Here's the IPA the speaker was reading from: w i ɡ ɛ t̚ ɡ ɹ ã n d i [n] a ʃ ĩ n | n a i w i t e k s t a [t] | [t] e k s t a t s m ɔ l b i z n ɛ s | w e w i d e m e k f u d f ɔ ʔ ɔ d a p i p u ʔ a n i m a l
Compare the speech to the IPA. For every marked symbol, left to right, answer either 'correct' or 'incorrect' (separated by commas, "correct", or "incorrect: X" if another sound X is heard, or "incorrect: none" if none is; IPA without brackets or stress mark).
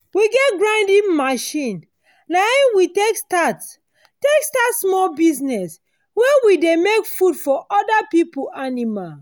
incorrect: m, correct, correct